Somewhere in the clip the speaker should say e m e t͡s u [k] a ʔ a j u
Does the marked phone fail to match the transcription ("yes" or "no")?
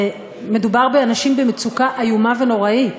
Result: no